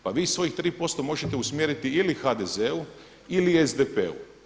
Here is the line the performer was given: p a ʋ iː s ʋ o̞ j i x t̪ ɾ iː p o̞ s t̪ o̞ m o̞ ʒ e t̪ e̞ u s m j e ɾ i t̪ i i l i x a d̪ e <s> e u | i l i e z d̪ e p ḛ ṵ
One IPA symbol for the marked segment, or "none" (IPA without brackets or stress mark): z